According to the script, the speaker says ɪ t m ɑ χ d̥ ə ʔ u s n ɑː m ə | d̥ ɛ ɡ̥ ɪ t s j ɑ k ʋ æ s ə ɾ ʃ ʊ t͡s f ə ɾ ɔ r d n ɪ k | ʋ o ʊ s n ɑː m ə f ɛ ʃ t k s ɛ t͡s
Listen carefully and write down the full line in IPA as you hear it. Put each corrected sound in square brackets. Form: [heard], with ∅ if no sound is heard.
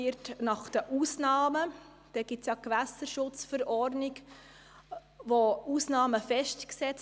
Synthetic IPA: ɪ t [n] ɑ χ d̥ ə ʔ u s n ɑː m ə | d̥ ɛ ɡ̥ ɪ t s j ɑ k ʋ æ s ə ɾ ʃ ʊ t͡s f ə ɾ ɔ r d n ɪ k | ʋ o [u] s n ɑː m ə f ɛ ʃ t k s ɛ t͡s